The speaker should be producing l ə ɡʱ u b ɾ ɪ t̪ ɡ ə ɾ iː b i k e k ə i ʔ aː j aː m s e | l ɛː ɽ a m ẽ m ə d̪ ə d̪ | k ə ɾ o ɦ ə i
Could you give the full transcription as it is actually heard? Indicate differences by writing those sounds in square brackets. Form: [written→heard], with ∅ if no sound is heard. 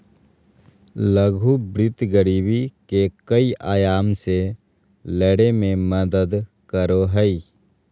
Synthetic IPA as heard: l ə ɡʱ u b ɾ ɪ t̪ ɡ ə ɾ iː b i k e k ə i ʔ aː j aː m s e | l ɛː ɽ [a→e] m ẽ m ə d̪ ə d̪ | k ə ɾ o ɦ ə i

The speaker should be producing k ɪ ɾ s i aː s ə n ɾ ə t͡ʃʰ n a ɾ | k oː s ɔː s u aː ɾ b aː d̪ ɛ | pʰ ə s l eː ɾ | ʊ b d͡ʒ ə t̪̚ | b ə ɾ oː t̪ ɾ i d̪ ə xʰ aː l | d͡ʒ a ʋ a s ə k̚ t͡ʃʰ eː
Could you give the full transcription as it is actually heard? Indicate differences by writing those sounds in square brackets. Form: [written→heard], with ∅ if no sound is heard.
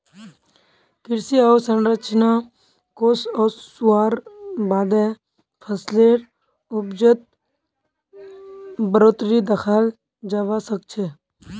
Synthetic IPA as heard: k ɪ ɾ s i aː s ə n ɾ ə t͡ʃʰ n a [ɾ→∅] | k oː s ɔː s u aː ɾ b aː d̪ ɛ | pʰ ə s l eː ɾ | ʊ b d͡ʒ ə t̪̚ | b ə ɾ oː t̪ ɾ i d̪ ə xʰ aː l | d͡ʒ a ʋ a s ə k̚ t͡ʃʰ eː

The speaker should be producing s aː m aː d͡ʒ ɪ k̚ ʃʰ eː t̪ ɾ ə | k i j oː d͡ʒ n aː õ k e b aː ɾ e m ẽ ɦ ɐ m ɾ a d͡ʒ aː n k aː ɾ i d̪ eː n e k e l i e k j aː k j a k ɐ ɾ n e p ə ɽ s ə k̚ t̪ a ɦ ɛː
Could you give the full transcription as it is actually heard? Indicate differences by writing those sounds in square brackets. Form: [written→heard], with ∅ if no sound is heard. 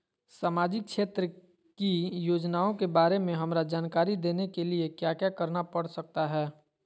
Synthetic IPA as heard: s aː m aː d͡ʒ ɪ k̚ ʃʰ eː t̪ ɾ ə | k i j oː d͡ʒ n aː õ k e b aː ɾ e m ẽ ɦ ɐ m ɾ a d͡ʒ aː n k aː ɾ i d̪ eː n e k e l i e k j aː k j a k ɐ ɾ n [e→a] p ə ɽ s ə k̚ t̪ a ɦ ɛː

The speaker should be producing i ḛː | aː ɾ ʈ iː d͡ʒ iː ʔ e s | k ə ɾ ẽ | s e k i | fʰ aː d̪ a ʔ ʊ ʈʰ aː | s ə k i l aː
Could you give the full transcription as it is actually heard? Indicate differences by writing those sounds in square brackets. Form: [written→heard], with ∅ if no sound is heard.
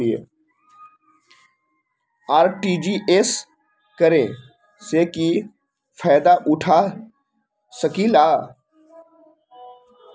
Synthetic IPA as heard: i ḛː | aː ɾ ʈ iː d͡ʒ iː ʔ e s | k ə ɾ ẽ | s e k i | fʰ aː d̪ a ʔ ʊ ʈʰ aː | s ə k i l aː

